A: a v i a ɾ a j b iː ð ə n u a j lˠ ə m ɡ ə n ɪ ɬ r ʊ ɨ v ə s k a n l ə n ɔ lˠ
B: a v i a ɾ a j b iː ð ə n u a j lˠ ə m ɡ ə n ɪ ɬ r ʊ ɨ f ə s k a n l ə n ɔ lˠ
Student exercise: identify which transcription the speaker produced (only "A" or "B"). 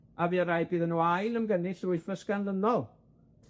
B